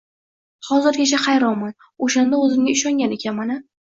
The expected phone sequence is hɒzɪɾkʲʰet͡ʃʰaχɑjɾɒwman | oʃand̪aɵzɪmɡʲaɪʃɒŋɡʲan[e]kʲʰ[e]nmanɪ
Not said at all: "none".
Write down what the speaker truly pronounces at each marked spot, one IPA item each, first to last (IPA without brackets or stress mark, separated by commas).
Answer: e, a